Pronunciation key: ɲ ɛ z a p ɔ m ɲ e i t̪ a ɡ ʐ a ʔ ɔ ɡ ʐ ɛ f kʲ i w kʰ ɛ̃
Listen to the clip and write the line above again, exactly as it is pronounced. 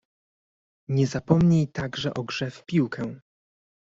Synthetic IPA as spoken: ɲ ɛ z a p ɔ m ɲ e j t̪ a ɡ ʐ ɛ ʔ ɔ ɡ ʐ ɛ f pʲ i w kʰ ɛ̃